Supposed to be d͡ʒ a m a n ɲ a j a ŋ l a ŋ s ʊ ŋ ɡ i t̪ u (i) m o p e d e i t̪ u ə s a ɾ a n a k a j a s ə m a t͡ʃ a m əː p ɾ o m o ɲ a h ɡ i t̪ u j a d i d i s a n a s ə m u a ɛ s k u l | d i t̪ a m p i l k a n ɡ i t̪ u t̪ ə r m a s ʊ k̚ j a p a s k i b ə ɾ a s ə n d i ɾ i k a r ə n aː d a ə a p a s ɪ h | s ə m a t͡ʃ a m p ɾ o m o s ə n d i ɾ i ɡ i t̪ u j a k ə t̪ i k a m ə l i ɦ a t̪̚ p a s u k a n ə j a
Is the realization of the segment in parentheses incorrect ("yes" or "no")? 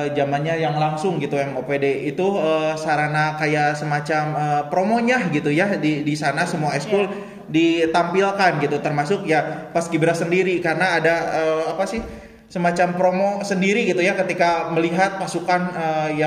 yes